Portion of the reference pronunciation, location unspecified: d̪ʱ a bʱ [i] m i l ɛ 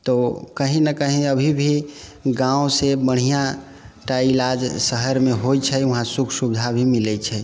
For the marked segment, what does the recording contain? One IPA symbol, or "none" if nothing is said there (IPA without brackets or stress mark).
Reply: i